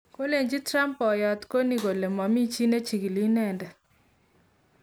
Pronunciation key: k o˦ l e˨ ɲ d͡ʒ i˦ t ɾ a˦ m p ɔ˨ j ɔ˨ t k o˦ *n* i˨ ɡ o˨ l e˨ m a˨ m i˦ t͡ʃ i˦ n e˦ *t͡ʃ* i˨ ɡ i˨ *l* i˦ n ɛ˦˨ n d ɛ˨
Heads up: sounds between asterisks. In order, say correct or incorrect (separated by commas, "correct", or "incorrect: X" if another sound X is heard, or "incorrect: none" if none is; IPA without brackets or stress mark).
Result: correct, correct, correct